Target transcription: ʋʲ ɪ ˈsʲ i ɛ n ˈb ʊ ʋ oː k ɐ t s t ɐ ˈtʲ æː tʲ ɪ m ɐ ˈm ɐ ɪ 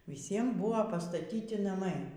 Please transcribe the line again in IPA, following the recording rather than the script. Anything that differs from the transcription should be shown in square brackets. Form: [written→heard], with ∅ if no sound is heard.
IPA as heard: ʋʲ ɪ ˈsʲ i ɛ [n→m] ˈb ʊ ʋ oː [k→p] ɐ [t→∅] s t ɐ ˈtʲ [æː→iː] tʲ ɪ [m→n] ɐ ˈm ɐ ɪ